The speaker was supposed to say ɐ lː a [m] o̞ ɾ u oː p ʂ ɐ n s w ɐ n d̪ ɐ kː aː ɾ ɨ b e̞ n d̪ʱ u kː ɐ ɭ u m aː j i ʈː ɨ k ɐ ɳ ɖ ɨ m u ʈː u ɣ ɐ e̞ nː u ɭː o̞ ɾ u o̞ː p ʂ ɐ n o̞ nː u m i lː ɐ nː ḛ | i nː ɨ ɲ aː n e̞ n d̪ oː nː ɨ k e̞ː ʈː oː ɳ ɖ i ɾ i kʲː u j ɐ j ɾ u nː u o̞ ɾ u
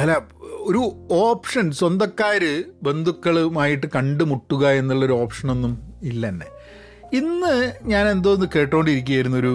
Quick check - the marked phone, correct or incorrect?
incorrect